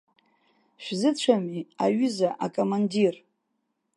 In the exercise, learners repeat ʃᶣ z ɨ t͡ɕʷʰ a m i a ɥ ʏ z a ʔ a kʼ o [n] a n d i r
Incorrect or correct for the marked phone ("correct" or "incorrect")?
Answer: incorrect